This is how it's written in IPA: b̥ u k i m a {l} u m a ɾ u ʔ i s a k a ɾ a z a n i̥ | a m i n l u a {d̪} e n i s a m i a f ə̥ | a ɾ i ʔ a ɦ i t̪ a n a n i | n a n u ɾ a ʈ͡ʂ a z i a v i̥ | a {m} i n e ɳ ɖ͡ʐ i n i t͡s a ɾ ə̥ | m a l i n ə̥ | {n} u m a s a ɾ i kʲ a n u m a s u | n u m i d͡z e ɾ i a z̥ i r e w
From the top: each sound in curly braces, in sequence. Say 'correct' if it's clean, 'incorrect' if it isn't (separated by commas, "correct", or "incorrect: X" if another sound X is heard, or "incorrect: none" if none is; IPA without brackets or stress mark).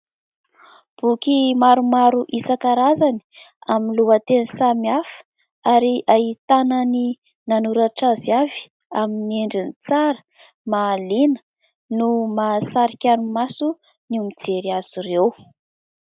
incorrect: ɾ, incorrect: t̪, correct, correct